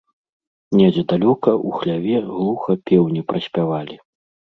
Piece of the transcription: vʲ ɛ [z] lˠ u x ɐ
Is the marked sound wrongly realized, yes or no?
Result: yes